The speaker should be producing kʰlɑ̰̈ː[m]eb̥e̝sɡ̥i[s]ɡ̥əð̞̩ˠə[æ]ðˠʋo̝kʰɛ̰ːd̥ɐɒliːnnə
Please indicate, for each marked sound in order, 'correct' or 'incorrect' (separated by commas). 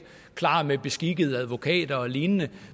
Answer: correct, incorrect, correct